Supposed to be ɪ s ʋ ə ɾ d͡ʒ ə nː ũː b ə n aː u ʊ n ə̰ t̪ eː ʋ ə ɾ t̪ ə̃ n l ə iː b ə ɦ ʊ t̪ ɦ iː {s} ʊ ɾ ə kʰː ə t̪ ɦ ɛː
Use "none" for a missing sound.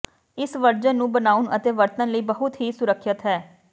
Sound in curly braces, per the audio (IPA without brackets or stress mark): s